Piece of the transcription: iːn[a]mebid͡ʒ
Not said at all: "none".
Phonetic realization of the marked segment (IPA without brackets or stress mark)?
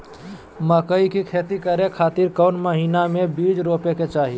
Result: a